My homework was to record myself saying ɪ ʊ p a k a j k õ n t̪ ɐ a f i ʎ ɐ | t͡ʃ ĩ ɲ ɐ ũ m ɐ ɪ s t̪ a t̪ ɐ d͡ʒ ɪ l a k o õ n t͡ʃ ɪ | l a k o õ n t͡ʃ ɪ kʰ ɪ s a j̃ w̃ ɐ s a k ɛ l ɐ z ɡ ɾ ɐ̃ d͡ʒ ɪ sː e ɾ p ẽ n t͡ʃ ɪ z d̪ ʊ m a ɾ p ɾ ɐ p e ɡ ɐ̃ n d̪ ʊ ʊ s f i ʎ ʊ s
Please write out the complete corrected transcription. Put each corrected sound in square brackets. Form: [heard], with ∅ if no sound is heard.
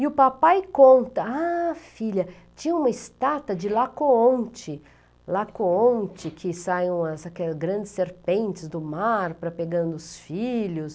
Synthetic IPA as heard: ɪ ʊ p a [p] a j k õ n t̪ ɐ a f i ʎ ɐ | t͡ʃ ĩ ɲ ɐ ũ m ɐ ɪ s t̪ a t̪ ɐ d͡ʒ ɪ l a k o õ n t͡ʃ ɪ | l a k o õ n t͡ʃ ɪ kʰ ɪ s a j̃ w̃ ɐ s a k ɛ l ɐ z ɡ ɾ ɐ̃ d͡ʒ ɪ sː e ɾ p ẽ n t͡ʃ ɪ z d̪ ʊ m a ɾ p ɾ ɐ p e ɡ ɐ̃ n d̪ ʊ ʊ s f i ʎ ʊ s

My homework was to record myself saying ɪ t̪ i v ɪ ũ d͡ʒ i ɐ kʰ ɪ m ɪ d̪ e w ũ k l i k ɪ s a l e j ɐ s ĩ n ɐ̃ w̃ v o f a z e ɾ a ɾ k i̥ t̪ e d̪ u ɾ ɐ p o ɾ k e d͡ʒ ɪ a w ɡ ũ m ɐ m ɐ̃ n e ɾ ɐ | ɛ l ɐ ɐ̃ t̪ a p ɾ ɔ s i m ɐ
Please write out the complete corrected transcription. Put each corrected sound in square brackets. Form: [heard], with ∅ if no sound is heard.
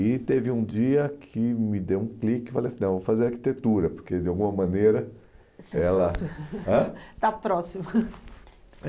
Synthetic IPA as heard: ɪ t̪ [e] v ɪ ũ d͡ʒ i ɐ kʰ ɪ m ɪ d̪ e w ũ k l i k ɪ [f] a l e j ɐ s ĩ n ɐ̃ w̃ v o f a z e ɾ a ɾ k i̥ t̪ e [t̪] u ɾ ɐ p o ɾ k e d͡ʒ ɪ a w ɡ ũ m ɐ m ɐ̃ n e ɾ ɐ | ɛ l ɐ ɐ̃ t̪ a p ɾ ɔ s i m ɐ

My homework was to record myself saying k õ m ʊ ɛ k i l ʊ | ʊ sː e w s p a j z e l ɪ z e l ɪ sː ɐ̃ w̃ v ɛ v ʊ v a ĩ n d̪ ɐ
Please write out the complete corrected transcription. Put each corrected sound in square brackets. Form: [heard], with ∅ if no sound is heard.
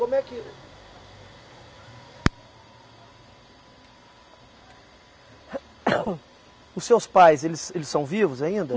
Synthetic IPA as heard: k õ m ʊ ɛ k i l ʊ | ʊ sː e w s p a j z e l ɪ [s] e l ɪ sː ɐ̃ w̃ v [i] v ʊ [z] a ĩ n d̪ ɐ

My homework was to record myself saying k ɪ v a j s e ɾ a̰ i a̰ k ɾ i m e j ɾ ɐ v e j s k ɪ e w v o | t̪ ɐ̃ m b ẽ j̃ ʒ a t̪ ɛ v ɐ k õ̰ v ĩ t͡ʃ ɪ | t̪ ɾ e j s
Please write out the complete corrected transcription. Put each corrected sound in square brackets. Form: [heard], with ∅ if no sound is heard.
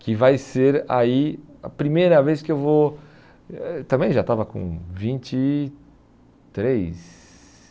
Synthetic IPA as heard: k ɪ v a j s e ɾ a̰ i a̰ [p] ɾ i m e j ɾ ɐ v e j s k ɪ e w v o | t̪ ɐ̃ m b ẽ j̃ ʒ a t̪ [a] v ɐ k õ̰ v ĩ t͡ʃ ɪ | t̪ ɾ e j s

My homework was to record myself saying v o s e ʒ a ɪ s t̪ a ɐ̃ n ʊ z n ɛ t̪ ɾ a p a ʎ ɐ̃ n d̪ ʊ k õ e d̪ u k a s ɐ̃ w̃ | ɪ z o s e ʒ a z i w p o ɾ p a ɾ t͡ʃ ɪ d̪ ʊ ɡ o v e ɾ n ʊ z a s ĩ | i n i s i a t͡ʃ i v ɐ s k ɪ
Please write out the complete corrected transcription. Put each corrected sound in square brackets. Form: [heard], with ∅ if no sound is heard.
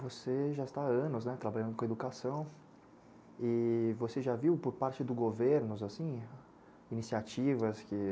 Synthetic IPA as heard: v o s e ʒ a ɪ s t̪ a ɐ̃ n ʊ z n ɛ t̪ ɾ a [b] a ʎ ɐ̃ n d̪ ʊ k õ e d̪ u k a s ɐ̃ w̃ | ɪ [v] o s e ʒ a [v] i w p o ɾ p a ɾ t͡ʃ ɪ d̪ ʊ ɡ o v e ɾ n ʊ z a s ĩ | i n i s i a t͡ʃ i v ɐ s k ɪ

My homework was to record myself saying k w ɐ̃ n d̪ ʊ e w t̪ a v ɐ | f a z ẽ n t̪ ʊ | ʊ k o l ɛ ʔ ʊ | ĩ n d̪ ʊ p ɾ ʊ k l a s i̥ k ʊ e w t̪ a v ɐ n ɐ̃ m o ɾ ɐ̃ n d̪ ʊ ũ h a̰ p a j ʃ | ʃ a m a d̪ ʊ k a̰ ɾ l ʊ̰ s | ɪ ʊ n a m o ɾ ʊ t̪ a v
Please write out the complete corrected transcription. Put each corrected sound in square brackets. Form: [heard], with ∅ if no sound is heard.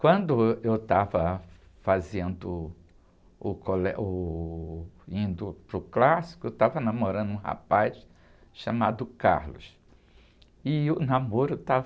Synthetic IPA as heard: k w ɐ̃ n d̪ ʊ e w t̪ a v ɐ | f a z ẽ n [d̪] ʊ | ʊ k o l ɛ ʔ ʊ | ĩ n d̪ ʊ p ɾ ʊ k l a s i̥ k ʊ e w t̪ a v ɐ n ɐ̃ m o ɾ ɐ̃ n d̪ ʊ ũ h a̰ p a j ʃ | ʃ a m a d̪ ʊ k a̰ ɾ l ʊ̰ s | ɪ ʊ n a m o ɾ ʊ t̪ a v

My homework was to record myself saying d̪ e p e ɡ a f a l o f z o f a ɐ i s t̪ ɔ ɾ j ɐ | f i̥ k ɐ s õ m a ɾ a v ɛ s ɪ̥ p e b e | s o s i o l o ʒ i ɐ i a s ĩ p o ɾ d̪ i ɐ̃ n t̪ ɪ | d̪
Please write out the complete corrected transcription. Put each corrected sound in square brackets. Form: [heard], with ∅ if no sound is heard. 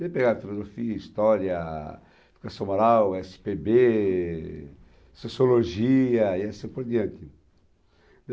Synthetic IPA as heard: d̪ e p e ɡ a f [i] l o [∅] z o f [i] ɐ i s t̪ ɔ ɾ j ɐ | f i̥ k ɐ s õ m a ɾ a [w] ɛ s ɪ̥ p e b e | s o s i o l o ʒ i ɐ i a s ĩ p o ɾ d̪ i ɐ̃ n t̪ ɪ | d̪

